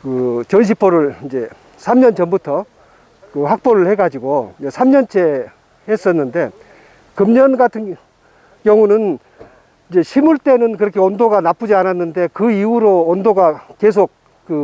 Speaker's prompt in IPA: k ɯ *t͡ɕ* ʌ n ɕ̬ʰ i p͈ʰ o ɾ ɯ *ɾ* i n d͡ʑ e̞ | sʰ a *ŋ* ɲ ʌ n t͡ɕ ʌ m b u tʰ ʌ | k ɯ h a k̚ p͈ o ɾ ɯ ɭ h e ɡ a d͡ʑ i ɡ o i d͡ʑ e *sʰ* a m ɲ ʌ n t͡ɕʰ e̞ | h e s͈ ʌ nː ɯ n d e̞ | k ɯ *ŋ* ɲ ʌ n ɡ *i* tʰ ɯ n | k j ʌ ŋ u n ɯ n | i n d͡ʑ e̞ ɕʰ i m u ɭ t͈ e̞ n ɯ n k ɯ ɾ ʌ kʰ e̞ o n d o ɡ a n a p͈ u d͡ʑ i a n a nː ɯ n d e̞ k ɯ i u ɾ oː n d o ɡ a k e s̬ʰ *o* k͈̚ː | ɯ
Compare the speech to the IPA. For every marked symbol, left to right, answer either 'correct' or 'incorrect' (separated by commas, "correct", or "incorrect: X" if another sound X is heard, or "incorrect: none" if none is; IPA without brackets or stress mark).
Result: correct, incorrect: ɭ, incorrect: m, correct, incorrect: m, incorrect: a, correct